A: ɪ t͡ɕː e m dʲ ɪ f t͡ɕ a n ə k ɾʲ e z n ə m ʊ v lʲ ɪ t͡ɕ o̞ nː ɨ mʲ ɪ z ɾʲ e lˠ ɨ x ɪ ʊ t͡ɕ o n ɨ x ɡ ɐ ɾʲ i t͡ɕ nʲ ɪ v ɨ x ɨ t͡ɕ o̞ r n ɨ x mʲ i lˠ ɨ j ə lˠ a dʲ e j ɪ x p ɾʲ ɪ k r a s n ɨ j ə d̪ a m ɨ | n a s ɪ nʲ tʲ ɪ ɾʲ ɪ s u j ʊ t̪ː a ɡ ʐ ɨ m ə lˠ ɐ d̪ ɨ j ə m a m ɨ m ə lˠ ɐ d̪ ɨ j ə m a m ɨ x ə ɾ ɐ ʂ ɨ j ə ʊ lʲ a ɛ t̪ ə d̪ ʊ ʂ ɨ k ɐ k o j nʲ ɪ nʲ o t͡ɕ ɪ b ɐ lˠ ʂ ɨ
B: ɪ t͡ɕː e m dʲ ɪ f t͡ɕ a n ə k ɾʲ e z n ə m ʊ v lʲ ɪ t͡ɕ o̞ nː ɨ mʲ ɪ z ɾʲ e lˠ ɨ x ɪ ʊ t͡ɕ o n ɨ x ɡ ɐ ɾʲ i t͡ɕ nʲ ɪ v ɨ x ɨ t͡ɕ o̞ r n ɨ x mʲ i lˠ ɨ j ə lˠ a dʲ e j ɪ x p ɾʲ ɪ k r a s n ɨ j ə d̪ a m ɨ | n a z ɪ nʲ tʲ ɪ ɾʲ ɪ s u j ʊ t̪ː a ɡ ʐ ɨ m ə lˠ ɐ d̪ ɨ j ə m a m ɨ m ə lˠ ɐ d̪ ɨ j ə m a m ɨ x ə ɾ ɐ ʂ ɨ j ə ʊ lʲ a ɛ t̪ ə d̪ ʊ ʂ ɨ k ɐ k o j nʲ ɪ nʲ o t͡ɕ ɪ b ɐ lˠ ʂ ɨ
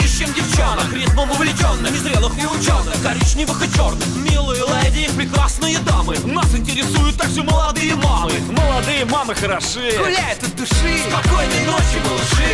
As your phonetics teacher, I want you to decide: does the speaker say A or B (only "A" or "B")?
A